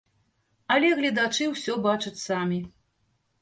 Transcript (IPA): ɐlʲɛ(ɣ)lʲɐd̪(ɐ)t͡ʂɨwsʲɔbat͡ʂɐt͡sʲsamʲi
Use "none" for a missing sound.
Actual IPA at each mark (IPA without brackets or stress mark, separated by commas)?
ɣ, a